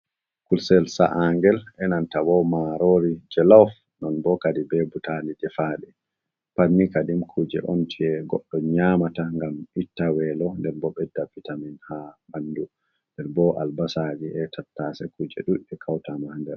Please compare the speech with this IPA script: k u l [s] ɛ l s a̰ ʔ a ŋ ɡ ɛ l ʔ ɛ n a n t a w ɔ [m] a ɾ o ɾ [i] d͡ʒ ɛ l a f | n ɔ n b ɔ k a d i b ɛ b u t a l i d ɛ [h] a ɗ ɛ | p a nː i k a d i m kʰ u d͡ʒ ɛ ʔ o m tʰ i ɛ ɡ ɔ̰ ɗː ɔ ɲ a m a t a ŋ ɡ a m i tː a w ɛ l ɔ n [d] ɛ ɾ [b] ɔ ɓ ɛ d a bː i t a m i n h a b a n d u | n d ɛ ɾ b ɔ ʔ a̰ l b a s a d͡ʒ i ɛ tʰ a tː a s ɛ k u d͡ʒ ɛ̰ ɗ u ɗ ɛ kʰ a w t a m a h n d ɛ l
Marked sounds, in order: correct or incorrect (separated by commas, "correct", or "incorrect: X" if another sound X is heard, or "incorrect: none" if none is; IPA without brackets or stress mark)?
correct, correct, correct, incorrect: f, correct, correct